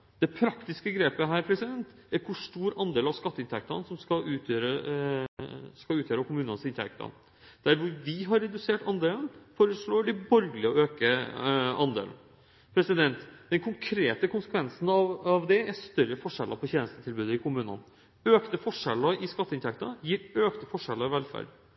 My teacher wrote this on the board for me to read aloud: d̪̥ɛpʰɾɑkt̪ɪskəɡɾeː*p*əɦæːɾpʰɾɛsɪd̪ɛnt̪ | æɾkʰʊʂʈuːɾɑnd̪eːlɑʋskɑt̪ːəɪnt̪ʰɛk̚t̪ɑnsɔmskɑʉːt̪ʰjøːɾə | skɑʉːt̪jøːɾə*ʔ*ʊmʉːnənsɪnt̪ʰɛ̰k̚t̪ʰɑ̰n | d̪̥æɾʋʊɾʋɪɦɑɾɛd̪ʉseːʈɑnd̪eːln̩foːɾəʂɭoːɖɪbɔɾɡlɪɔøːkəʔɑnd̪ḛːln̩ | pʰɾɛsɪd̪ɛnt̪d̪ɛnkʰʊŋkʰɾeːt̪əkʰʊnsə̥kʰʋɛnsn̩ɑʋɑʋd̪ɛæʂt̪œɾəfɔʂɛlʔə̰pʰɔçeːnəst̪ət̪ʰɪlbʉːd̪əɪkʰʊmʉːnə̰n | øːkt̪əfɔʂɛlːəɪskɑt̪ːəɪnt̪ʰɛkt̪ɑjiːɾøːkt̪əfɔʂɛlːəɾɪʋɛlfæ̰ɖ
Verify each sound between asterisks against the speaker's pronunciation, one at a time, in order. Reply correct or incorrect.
correct, incorrect: k

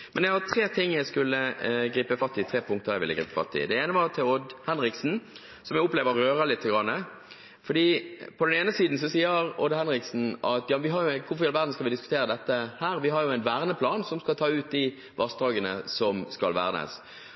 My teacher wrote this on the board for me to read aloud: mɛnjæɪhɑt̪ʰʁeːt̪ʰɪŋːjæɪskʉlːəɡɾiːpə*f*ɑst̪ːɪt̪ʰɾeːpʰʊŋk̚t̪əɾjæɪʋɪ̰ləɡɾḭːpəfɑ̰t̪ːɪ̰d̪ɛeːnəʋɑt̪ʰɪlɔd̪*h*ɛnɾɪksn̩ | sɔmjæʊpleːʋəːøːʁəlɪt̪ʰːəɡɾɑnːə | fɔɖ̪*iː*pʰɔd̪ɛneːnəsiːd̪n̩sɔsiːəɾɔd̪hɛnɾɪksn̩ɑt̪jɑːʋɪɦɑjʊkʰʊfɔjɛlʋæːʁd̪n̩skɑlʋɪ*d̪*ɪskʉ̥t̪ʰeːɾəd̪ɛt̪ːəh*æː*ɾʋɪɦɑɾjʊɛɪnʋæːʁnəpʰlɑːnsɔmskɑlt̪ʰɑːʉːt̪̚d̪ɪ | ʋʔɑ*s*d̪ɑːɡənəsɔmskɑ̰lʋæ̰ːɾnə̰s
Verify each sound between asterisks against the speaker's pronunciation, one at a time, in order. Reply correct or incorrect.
correct, correct, correct, correct, correct, correct

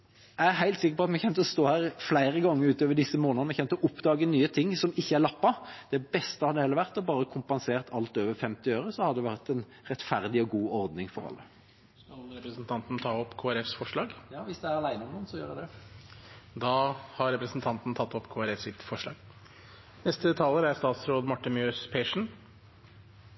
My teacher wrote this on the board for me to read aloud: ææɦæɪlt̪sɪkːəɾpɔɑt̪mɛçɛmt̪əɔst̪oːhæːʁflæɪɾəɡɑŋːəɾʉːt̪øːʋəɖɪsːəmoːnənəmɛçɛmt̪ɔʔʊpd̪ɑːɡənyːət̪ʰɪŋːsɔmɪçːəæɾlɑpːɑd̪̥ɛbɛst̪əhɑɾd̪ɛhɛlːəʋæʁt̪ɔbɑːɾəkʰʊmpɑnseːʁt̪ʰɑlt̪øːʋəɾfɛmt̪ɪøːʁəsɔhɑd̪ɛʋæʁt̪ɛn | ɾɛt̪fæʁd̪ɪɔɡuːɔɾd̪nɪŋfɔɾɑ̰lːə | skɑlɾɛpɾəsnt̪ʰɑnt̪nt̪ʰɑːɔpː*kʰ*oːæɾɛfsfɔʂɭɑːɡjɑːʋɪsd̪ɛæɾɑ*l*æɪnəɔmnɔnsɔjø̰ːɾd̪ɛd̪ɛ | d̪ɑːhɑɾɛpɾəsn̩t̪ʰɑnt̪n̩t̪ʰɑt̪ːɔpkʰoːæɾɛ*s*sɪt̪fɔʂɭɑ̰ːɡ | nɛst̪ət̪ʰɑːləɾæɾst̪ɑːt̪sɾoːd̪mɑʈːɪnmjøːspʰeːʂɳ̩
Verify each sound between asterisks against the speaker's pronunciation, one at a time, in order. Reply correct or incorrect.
correct, correct, incorrect: f

